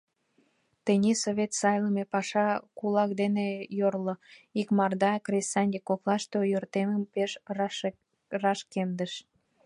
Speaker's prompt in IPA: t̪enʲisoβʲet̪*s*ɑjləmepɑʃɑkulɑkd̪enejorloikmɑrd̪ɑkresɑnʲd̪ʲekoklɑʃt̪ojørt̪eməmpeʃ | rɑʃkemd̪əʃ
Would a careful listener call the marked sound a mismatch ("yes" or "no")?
no